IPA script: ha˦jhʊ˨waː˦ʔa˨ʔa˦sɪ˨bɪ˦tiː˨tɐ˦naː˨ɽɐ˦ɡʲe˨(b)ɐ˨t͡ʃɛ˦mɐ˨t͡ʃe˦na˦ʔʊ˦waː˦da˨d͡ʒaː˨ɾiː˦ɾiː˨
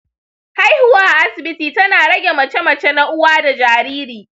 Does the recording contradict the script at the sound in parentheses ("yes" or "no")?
yes